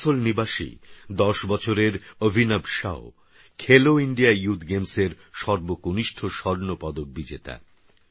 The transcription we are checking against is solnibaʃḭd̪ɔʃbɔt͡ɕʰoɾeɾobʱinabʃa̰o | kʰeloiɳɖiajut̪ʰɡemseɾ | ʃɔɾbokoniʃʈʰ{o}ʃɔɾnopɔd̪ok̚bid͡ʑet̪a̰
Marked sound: correct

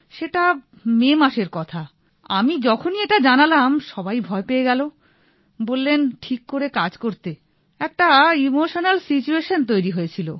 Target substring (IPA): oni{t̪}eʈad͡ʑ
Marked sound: incorrect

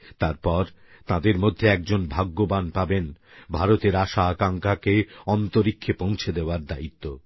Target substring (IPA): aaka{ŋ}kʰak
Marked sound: correct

